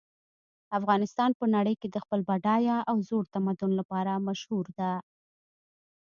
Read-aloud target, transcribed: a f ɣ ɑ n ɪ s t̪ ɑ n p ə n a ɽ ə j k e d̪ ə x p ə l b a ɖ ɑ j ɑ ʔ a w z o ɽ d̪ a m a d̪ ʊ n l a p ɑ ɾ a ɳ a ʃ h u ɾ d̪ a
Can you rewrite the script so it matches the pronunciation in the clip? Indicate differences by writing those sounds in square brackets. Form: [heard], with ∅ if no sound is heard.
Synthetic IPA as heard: a f ɣ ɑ n ɪ s t̪ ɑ n p ə n a ɽ ə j k e d̪ ə x p ə l b a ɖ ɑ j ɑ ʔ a w z o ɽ [t̪] a m a d̪ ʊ n l a p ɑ ɾ a [m] a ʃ h u ɾ d̪ a